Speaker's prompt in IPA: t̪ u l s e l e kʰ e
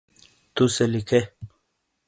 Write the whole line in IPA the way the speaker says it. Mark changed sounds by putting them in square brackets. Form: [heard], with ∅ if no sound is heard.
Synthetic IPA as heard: t̪ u [∅] s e l [i] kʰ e